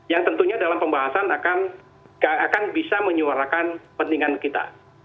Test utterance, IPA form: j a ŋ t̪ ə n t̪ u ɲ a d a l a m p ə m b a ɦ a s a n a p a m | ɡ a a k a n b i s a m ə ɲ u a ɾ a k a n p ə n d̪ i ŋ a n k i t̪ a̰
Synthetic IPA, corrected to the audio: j a ŋ t̪ ə n t̪ u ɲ a d a l a m p ə m b a ɦ a s a n a k a n | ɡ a a k a n b i s a m ə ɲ u a ɾ a k a n p ə n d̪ i ŋ a n k i t̪ a̰